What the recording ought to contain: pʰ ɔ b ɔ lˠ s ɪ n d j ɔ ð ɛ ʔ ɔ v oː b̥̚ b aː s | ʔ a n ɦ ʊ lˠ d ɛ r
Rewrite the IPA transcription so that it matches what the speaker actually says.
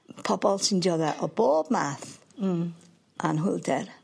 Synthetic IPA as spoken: pʰ ɔ b ɔ lˠ s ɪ n d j ɔ ð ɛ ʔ ɔ b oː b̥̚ m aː θ | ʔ a n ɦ ʊ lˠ d ɛ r